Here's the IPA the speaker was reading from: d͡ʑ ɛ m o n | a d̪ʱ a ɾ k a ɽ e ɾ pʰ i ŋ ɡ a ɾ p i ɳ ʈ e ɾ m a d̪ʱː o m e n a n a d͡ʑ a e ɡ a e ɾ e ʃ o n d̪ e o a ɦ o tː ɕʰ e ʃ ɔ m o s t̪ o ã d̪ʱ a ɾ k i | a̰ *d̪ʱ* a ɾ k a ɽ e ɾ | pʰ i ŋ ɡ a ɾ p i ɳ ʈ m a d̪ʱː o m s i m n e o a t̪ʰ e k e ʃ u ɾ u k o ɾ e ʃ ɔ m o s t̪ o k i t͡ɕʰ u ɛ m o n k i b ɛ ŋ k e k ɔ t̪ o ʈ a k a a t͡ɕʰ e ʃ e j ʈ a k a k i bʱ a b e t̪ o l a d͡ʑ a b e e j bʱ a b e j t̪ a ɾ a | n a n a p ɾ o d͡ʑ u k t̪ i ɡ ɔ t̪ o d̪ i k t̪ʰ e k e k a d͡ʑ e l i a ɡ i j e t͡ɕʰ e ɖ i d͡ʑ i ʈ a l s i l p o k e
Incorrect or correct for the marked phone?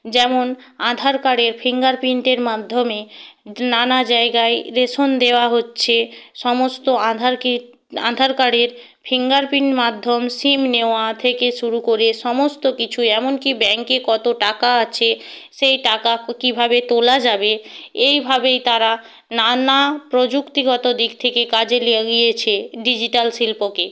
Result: correct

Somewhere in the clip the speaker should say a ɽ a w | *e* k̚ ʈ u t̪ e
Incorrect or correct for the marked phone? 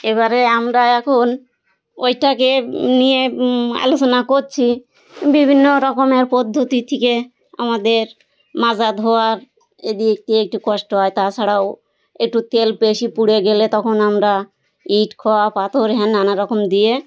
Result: correct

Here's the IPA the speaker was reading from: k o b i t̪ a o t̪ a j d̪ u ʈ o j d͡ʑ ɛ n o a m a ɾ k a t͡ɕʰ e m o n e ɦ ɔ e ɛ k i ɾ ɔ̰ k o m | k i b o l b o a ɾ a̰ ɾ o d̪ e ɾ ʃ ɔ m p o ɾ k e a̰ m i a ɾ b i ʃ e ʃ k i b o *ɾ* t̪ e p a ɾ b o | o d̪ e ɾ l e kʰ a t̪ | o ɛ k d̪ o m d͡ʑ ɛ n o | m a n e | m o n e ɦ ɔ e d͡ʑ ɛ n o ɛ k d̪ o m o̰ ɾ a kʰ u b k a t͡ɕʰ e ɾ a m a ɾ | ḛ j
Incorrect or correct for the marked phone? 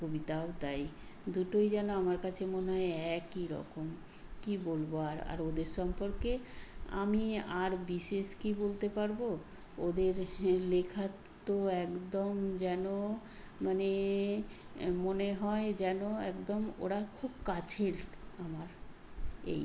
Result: incorrect: l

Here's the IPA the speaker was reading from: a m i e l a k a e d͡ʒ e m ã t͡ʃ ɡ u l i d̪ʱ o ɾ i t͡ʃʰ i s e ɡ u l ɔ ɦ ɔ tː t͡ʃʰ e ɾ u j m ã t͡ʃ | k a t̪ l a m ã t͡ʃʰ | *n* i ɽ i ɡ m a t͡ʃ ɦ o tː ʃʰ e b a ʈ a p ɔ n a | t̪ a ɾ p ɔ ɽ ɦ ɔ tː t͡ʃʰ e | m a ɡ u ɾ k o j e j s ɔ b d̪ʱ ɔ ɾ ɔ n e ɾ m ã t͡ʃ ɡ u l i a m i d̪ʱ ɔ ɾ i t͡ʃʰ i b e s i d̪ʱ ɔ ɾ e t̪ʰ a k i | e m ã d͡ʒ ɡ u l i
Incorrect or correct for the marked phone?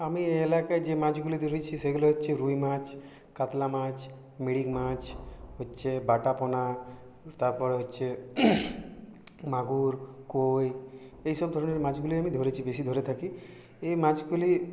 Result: incorrect: m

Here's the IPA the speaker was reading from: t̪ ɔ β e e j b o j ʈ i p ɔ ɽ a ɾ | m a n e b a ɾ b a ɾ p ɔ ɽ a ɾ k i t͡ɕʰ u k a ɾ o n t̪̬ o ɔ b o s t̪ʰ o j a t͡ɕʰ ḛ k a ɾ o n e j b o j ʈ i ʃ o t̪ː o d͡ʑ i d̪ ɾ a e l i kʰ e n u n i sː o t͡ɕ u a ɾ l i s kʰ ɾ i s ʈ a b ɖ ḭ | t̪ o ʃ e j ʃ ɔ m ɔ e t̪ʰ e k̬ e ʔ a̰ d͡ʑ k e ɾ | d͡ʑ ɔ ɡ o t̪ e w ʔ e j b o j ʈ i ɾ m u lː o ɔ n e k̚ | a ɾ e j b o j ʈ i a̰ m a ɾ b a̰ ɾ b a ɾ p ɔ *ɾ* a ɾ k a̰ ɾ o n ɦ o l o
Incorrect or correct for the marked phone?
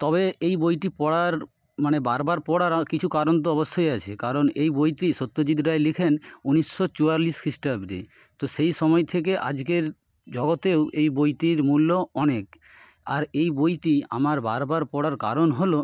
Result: incorrect: ɽ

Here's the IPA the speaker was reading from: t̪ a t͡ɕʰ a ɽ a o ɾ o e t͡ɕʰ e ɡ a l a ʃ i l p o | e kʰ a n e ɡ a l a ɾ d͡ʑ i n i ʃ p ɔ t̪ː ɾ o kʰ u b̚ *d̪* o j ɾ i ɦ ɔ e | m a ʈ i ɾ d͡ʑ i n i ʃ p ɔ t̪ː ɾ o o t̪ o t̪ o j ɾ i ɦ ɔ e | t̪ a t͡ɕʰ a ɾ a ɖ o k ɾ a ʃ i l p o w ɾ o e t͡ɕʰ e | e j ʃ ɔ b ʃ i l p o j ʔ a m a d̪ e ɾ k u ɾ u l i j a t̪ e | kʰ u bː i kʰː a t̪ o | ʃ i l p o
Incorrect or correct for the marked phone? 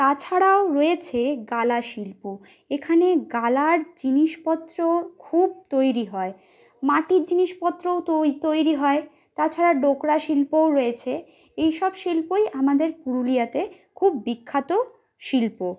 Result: incorrect: t̪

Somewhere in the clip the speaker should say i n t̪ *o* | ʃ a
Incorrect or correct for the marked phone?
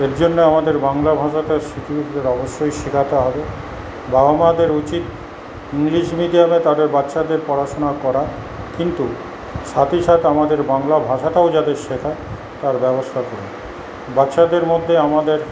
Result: incorrect: u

